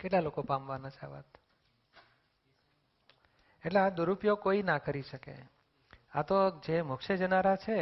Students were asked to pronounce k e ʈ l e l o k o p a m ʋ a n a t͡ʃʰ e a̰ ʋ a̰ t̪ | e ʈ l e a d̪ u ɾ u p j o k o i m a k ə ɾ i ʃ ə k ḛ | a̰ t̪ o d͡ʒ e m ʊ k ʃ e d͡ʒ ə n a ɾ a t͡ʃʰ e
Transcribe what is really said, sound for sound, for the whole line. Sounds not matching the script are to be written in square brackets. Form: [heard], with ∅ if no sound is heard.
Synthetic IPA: k e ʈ l [a] l o k o p a m ʋ a n a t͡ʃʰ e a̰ ʋ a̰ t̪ | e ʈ l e a d̪ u ɾ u p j o k o i [n] a k ə ɾ i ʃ ə k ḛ | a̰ t̪ o d͡ʒ e m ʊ k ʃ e d͡ʒ ə n a ɾ a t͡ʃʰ e